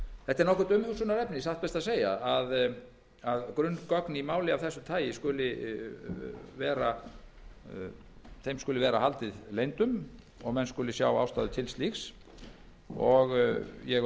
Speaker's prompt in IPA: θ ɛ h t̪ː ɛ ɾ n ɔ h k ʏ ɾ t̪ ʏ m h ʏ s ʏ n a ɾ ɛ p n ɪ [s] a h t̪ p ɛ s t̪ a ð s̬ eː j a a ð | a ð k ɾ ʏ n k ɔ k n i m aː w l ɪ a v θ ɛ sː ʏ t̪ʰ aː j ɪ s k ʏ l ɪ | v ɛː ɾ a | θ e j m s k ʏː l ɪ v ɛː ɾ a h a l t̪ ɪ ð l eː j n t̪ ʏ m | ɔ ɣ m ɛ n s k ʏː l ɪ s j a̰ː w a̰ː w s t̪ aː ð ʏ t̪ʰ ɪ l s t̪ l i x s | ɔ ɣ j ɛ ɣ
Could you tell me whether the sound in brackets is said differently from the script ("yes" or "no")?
no